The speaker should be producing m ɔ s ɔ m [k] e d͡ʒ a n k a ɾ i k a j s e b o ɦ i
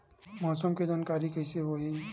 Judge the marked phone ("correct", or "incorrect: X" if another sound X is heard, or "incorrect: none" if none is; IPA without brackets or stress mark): correct